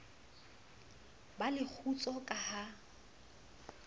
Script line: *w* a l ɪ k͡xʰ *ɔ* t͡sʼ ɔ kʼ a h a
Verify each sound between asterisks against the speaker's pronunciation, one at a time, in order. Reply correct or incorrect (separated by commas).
incorrect, incorrect